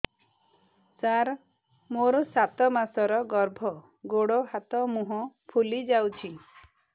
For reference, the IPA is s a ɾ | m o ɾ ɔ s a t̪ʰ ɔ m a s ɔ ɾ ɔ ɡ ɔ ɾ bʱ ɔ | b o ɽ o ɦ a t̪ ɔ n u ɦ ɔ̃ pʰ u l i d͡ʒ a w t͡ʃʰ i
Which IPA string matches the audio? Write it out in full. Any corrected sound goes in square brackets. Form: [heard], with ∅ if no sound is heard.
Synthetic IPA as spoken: s a ɾ | m o ɾ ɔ s a [t̪] ɔ m a s ɔ ɾ ɔ ɡ ɔ ɾ bʱ ɔ | [ɡ] o ɽ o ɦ a t̪ ɔ [m] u ɦ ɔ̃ pʰ u l i d͡ʒ a w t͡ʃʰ i